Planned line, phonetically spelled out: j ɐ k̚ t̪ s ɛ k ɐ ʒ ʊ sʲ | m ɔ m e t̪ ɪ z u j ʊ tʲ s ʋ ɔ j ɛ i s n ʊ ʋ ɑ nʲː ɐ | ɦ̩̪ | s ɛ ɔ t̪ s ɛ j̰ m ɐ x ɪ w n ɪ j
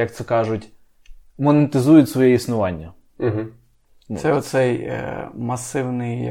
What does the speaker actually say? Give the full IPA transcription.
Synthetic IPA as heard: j ɐ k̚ t̪ s ɛ k ɑ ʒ ʊ tʲ | m ɔ n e t̪ ɪ z u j ʊ tʲ s ʋ ɔ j ɛ i s n ʊ ʋ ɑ nʲː ɐ | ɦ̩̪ | s ɛ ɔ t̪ s ɛ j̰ m ɐ s ɪ w n ɪ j